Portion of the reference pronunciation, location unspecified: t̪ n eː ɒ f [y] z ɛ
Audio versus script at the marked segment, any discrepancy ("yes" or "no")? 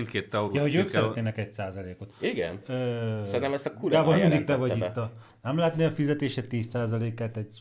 yes